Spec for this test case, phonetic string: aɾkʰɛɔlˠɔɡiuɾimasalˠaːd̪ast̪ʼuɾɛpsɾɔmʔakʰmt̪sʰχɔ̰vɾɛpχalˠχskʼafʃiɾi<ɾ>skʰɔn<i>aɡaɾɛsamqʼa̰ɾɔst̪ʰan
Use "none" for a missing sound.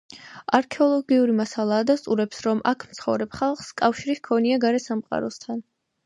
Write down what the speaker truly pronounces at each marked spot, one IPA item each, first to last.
none, i

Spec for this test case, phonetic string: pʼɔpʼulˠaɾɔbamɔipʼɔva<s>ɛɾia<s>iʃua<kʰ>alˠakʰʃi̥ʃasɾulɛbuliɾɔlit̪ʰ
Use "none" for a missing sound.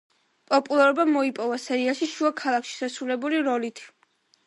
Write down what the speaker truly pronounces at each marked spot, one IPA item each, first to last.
s, ʃ, kʰ

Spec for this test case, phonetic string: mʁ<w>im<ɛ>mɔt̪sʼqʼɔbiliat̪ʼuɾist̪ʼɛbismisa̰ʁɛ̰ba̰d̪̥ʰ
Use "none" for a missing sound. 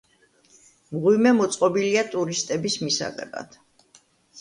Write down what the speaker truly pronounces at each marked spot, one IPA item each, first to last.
w, ɛ

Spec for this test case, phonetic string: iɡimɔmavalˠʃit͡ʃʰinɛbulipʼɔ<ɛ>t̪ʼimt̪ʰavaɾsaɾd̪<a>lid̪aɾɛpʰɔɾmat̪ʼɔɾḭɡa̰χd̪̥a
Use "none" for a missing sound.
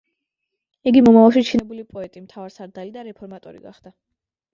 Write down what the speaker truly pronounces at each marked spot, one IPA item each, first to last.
ɛ, a

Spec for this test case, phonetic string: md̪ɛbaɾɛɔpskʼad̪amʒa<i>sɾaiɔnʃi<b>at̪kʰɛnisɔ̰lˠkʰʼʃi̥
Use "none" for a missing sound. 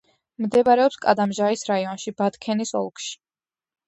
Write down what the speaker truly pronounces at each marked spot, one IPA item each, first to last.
i, b

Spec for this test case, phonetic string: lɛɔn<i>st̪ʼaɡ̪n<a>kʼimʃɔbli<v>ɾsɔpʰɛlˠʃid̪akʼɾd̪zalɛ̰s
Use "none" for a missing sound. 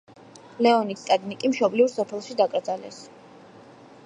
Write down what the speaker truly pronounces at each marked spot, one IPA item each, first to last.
i, i, v

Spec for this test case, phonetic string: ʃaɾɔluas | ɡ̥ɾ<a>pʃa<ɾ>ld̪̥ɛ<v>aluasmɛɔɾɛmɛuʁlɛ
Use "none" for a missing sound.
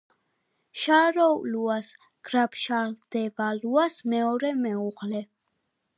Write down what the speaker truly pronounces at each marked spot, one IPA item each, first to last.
a, ɾ, v

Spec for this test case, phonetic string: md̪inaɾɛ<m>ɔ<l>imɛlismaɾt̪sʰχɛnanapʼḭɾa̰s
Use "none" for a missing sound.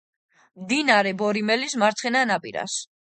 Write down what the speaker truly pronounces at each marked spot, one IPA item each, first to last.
b, ɾ

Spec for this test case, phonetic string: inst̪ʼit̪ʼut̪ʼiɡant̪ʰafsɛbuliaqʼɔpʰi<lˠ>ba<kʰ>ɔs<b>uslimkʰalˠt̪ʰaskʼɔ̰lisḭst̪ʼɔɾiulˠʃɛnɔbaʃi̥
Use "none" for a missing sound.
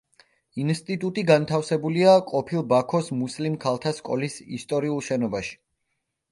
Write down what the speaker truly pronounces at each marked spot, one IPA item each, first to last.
lˠ, kʰ, m

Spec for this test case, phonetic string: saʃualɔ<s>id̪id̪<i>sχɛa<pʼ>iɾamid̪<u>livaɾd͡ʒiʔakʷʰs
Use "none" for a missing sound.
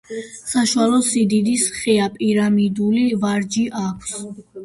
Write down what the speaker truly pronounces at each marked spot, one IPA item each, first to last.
s, i, pʼ, u

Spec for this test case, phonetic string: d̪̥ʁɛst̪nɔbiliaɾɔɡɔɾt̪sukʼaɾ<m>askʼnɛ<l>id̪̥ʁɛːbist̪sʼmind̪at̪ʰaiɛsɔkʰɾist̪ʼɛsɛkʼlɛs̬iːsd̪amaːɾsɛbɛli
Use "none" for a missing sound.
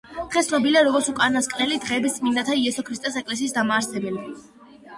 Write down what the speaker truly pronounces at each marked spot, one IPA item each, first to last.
n, l

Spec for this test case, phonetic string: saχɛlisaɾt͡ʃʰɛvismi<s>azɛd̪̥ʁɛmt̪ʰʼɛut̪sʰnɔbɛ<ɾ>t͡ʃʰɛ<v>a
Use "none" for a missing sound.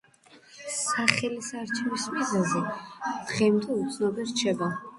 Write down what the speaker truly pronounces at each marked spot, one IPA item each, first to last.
z, ɾ, b

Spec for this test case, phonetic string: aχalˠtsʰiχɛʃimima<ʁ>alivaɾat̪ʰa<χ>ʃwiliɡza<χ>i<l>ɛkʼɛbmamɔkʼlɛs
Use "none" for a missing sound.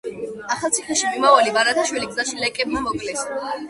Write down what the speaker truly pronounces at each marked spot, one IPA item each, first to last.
v, none, ʃ, l

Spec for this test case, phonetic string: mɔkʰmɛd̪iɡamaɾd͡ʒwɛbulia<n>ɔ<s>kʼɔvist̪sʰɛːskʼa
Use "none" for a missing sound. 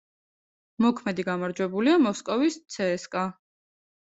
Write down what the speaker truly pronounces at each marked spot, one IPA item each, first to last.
m, s

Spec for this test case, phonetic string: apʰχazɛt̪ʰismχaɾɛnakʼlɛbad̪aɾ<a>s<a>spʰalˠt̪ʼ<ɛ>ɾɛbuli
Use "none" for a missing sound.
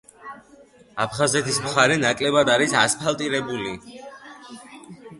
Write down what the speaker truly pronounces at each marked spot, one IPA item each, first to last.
i, a, i

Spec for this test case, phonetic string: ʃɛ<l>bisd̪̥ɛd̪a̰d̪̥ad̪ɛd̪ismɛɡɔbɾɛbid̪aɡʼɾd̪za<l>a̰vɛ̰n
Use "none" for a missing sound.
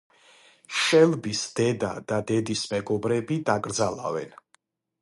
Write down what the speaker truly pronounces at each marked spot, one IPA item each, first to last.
l, l

